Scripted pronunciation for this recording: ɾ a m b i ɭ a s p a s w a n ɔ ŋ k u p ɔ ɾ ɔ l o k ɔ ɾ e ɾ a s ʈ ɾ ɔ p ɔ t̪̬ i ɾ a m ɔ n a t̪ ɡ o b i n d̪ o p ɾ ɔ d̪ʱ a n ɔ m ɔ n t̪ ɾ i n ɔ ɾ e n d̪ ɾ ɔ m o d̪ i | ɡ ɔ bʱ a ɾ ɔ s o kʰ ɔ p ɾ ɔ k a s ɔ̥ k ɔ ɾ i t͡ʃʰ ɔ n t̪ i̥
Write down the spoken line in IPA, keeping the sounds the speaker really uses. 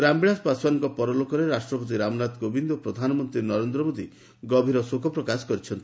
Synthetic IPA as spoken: ɾ a m b i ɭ a s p a s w a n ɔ ŋ k ɔ p ɔ ɾ ɔ l o k ɔ ɾ e ɾ a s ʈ ɾ ɔ p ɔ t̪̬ i ɾ a m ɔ n a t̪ ɡ o b i n d̪ o p ɾ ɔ d̪ʱ a n ɔ m ɔ n t̪ ɾ i n ɔ ɾ e n d̪ ɾ ɔ m o d̪ i | ɡ ɔ bʱ i ɾ ɔ s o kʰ ɔ p ɾ ɔ k a s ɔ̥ k ɔ ɾ i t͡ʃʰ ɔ n t̪ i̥